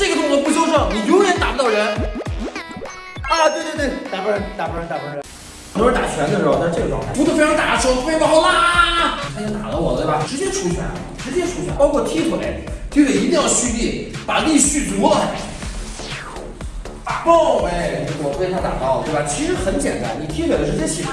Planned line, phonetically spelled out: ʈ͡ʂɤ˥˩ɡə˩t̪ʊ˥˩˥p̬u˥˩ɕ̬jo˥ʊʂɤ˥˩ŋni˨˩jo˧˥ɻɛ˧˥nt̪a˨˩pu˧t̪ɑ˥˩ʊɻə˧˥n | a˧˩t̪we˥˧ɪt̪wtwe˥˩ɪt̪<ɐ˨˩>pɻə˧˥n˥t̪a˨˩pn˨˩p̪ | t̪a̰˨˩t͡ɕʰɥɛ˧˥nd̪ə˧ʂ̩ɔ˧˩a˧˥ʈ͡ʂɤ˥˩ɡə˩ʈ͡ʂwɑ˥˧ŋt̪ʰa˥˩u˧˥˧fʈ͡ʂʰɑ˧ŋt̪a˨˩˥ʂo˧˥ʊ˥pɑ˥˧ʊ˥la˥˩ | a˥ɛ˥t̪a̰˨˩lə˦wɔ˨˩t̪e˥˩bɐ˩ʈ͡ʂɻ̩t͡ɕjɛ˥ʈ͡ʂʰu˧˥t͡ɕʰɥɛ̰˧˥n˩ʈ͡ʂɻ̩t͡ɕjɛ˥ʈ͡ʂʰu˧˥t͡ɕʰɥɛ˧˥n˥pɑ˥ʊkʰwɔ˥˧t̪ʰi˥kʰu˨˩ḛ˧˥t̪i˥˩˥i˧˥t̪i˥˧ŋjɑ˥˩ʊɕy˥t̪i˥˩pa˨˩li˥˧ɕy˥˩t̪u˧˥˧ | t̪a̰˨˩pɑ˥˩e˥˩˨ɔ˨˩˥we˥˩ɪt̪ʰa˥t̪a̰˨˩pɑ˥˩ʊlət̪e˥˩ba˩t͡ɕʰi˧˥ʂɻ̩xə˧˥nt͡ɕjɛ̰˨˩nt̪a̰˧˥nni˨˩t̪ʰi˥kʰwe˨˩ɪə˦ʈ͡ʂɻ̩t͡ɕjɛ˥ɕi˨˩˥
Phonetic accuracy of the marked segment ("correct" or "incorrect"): incorrect